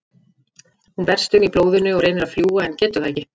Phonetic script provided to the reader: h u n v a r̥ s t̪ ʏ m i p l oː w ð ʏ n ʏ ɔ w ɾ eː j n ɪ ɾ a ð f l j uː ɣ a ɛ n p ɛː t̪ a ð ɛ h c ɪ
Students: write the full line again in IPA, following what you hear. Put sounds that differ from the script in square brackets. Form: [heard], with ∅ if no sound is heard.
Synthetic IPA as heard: h u n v [ɛ] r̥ s t̪ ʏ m i p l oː w ð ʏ n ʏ ɔ [ɣ] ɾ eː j n ɪ ɾ a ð f l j uː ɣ a ɛ n [c] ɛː t̪ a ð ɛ h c ɪ